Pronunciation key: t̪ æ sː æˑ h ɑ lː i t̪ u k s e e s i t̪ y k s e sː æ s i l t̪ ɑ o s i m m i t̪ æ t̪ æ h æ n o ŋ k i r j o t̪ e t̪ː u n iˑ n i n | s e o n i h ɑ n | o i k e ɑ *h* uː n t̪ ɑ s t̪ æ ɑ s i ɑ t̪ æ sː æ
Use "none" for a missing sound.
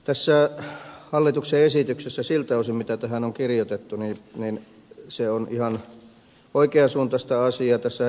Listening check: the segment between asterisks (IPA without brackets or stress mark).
s